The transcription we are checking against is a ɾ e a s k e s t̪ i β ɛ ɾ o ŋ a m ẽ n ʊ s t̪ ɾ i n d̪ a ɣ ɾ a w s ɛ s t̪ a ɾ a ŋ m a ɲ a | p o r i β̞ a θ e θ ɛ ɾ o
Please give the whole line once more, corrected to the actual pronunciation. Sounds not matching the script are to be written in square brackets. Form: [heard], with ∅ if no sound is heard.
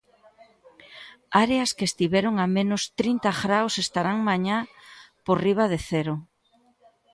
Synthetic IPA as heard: a ɾ e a s k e s t̪ i β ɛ ɾ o ŋ a m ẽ n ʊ s t̪ ɾ i n [t̪] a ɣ ɾ a w s [e] s t̪ a ɾ a ŋ m a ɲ a | p o r i β̞ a [ð] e θ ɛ ɾ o